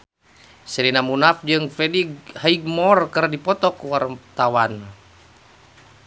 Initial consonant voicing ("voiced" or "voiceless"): voiceless